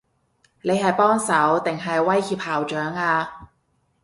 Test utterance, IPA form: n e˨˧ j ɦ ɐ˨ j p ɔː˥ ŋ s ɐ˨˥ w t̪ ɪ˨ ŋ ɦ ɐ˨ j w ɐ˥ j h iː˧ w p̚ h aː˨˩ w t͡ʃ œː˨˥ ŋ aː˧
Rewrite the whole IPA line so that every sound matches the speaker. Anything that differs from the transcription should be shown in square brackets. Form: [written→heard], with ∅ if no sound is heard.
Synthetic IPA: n e˨˧ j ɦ ɐ˨ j p ɔː˥ ŋ s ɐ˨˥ w t̪ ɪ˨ ŋ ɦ ɐ˨ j w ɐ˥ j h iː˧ [w→∅] p̚ h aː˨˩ w t͡ʃ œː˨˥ ŋ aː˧